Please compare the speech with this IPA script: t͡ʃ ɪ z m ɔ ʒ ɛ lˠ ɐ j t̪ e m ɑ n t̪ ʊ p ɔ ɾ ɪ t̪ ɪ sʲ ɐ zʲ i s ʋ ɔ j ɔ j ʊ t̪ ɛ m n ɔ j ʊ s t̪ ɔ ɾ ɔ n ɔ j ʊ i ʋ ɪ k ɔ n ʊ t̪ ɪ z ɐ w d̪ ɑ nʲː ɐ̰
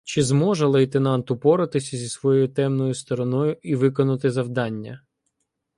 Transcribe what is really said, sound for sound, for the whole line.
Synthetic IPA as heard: t͡ʃ ɪ z m ɔ ʒ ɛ lˠ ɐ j t̪ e n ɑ n t̪ ʊ p ɔ ɾ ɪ t̪ ɪ sʲ ɐ zʲ i s ʋ ɔ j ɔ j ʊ t̪ ɛ m n ɔ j ʊ s t̪ ɔ ɾ ɔ n ɔ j ʊ i ʋ ɪ k ɔ n ʊ t̪ ɪ z ɐ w d̪ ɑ nʲː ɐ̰